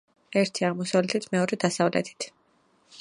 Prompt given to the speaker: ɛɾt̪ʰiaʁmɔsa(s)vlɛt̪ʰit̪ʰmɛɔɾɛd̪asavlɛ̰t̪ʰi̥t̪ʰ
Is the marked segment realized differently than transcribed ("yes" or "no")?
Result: yes